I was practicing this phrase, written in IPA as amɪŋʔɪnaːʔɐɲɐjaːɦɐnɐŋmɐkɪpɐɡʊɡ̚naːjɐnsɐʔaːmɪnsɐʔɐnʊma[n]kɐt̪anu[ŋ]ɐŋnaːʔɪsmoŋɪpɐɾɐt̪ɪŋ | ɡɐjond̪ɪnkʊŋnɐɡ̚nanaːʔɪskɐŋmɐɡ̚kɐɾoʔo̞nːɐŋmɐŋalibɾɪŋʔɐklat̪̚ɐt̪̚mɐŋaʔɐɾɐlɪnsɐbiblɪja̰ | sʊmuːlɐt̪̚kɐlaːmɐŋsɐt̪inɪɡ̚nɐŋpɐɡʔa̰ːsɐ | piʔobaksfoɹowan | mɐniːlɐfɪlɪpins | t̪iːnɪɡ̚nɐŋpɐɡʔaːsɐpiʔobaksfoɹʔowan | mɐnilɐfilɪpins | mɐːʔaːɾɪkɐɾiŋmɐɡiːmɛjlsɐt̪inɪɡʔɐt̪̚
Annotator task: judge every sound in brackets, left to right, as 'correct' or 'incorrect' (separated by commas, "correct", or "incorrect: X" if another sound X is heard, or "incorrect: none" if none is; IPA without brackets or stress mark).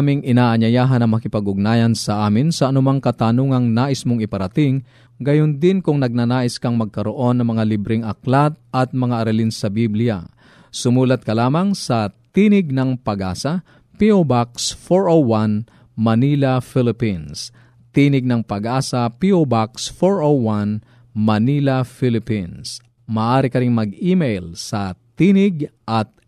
incorrect: ŋ, correct